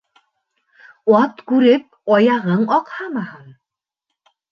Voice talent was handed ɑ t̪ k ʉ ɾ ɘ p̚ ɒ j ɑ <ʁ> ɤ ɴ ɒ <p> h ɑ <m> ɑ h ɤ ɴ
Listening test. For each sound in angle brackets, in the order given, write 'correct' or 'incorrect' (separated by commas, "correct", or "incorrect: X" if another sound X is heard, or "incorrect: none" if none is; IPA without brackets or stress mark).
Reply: correct, incorrect: q, correct